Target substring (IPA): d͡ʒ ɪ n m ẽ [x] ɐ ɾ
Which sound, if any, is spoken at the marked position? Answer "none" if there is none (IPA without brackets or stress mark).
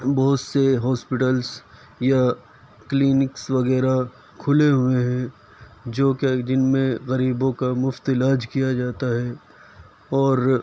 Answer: ɣ